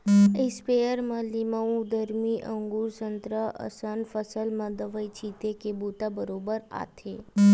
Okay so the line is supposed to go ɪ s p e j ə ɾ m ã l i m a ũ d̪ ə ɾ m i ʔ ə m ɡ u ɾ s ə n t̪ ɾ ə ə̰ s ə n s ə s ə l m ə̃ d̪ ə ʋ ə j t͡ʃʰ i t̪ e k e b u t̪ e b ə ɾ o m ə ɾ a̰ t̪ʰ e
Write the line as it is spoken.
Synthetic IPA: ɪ s p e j ə ɾ m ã l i m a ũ d̪ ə ɾ m i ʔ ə ŋ ɡ u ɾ s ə n t̪ ɾ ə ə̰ s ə n f ə s ə l m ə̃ d̪ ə ʋ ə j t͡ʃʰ i t̪ e k e b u t̪ a b ə ɾ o b ə ɾ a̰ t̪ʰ e